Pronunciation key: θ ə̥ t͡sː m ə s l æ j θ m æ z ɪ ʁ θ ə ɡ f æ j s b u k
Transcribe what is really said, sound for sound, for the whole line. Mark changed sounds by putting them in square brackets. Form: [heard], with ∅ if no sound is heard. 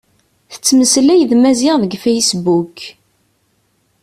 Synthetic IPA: θ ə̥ t͡sː m ə s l æ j [ð] m æ z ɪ ʁ [ð] ə ɡ f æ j s b u k